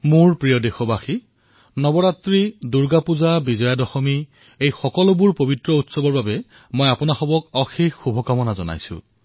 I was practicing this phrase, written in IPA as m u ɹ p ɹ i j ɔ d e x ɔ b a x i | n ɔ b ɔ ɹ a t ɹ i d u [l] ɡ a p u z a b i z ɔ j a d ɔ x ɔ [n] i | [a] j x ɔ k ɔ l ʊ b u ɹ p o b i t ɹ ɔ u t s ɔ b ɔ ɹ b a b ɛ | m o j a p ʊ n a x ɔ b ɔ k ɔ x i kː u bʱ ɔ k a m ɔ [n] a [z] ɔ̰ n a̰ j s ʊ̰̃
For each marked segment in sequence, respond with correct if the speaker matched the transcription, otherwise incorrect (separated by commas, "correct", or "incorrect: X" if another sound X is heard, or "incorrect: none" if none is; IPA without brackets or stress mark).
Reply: incorrect: ɹ, incorrect: m, incorrect: e, correct, correct